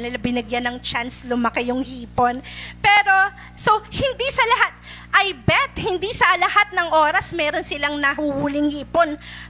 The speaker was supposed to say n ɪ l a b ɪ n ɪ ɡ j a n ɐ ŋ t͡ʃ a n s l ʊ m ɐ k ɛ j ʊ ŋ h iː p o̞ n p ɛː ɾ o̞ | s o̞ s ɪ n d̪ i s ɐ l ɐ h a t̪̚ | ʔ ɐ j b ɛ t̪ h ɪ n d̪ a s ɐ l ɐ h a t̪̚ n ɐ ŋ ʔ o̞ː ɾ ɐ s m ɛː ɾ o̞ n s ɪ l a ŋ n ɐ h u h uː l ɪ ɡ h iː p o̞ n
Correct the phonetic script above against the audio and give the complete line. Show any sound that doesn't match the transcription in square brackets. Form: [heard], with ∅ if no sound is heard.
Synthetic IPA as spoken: n ɪ l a b ɪ n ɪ ɡ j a n ɐ ŋ t͡ʃ a n s l ʊ m ɐ k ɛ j ʊ ŋ h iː p o̞ n p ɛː ɾ o̞ | s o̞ [h] ɪ n d̪ i s ɐ l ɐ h a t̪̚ | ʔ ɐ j b ɛ t̪ h ɪ n d̪ [i] s ɐ l ɐ h a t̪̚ n ɐ ŋ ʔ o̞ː ɾ ɐ s m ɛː ɾ o̞ n s ɪ l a ŋ n ɐ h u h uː l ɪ [ŋ] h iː p o̞ n